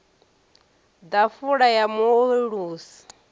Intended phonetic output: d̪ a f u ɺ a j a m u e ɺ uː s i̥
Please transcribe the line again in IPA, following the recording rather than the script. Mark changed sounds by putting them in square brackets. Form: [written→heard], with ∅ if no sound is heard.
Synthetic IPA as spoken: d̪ a f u ɺ a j a m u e ɺ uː s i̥